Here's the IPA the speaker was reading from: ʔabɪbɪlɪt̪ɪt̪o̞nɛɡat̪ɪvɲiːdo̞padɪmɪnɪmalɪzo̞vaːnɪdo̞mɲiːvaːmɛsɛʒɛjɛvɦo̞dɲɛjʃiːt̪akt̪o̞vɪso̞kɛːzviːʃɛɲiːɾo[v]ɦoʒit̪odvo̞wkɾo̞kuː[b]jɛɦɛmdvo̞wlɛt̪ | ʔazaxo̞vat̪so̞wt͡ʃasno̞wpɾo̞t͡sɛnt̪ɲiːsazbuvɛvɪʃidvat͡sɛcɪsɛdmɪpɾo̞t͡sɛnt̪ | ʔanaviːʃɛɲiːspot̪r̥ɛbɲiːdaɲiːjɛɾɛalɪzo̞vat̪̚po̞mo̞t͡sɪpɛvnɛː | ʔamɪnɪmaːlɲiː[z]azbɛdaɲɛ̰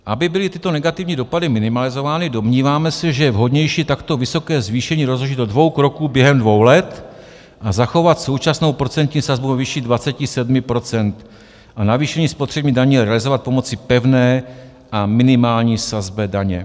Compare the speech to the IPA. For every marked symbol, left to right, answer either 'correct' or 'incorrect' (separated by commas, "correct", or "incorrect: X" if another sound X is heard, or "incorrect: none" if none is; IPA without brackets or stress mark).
incorrect: z, correct, incorrect: s